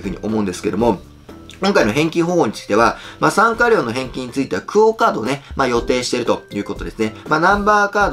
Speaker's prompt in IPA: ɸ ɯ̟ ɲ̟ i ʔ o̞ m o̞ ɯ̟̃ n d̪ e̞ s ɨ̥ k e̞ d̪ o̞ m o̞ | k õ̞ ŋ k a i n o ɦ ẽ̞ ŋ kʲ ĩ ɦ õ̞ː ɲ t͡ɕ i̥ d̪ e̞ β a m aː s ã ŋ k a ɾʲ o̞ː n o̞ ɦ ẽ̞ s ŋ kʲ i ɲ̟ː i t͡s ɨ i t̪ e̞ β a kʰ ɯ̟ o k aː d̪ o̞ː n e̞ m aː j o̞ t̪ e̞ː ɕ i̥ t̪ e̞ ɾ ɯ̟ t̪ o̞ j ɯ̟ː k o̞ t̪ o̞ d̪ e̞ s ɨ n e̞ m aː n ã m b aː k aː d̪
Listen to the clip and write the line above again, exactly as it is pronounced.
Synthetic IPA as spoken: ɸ ɯ̟ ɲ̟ i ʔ o̞ m o̞ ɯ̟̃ n d̪ e̞ s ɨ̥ k e̞ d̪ o̞ m o̞ | k õ̞ ŋ k a i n o ɦ ẽ̞ ŋ kʲ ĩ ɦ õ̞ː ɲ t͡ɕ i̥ d̪ e̞ β a m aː s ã ŋ k a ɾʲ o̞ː n o̞ ɦ ẽ̞ ŋ kʲ i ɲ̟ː i t͡s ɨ i t̪ e̞ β a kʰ ɯ̟ o k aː d̪ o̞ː n e̞ m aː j o̞ t̪ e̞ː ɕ i̥ t̪ e̞ ɾ ɯ̟ t̪ o̞ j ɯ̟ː k o̞ t̪ o̞ d̪ e̞ s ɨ n e̞ m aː n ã m b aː k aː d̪